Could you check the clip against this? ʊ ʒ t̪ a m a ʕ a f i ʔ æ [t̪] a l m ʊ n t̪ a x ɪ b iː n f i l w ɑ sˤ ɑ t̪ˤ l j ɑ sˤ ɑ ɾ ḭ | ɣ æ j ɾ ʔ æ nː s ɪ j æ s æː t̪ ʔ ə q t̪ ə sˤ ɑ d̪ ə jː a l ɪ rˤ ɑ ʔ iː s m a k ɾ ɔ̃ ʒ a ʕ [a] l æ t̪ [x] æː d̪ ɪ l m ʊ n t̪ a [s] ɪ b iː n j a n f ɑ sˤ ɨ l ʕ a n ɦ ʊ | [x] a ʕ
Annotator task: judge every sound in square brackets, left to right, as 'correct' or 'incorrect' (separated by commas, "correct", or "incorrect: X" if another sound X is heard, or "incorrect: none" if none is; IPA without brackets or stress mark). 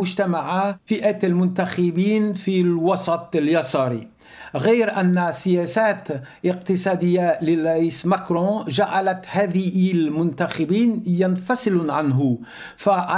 correct, correct, incorrect: h, incorrect: x, incorrect: f